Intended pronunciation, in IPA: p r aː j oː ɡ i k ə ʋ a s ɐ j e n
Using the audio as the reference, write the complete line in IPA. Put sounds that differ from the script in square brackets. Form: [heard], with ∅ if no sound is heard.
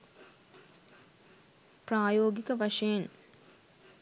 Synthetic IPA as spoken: p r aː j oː ɡ i k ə ʋ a [ʂ] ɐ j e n